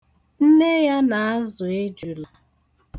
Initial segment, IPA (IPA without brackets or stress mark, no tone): n̩